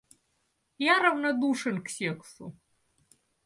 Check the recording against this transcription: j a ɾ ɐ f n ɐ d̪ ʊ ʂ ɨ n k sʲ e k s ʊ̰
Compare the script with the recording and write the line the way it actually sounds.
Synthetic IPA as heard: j a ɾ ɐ v n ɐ d̪ u ʂ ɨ n k sʲ e k s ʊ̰